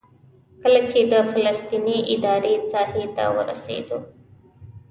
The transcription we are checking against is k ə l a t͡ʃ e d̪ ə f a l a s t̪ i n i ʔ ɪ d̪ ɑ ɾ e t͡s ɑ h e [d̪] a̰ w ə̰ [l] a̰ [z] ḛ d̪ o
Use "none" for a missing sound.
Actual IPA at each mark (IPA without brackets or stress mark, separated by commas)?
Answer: t̪, ɾ, s